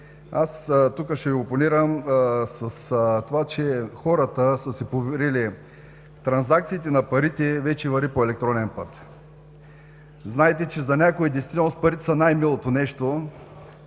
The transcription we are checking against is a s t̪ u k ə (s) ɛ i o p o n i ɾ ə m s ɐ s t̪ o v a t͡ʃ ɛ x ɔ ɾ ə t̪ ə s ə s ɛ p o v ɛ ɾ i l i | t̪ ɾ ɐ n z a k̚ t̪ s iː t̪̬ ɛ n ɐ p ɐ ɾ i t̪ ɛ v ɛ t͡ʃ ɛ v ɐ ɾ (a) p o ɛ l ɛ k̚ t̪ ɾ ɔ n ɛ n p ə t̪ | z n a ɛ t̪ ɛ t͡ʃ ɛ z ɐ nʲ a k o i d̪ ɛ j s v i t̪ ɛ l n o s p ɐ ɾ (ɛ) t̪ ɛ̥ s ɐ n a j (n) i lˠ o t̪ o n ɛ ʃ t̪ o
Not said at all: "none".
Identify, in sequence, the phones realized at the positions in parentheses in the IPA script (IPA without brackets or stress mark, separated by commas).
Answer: ʃ, i, i, m